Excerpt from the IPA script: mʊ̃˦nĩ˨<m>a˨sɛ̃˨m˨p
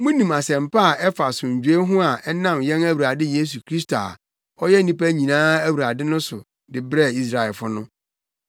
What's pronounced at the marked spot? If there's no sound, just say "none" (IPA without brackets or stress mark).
m